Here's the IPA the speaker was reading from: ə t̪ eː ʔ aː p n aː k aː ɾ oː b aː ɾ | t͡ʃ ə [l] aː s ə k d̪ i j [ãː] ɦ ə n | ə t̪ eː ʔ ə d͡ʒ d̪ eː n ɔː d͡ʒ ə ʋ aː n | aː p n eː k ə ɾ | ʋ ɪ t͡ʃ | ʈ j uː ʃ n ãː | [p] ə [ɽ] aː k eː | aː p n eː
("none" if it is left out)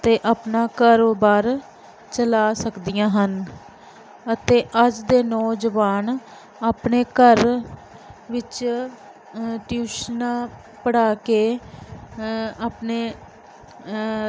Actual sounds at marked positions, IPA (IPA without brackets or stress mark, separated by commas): l, ãː, p, ɽ